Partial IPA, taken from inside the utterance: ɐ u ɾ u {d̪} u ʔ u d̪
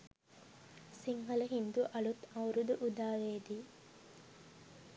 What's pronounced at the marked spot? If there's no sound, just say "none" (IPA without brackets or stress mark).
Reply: d̪